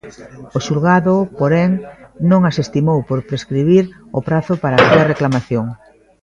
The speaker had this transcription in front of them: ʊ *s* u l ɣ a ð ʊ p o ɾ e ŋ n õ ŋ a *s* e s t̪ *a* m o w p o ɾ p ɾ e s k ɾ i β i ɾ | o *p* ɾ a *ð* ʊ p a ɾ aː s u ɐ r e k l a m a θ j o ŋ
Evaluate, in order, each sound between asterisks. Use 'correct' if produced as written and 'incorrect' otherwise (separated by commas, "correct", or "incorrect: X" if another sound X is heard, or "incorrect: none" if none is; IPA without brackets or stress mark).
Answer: incorrect: ʃ, correct, incorrect: i, correct, incorrect: θ